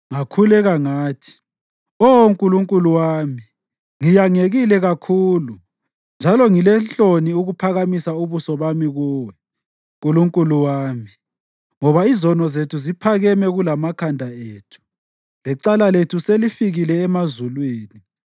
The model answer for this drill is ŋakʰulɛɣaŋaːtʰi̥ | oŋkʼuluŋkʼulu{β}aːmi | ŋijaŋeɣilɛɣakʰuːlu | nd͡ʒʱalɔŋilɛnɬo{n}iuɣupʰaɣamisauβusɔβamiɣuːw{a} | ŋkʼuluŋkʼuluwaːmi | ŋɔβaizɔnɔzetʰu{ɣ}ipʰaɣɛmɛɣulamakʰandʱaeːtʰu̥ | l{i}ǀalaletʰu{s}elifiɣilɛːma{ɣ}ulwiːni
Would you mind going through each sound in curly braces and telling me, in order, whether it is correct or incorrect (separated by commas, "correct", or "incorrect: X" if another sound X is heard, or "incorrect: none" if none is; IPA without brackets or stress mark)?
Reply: incorrect: w, correct, incorrect: ɛ, incorrect: z, incorrect: ɛ, correct, incorrect: z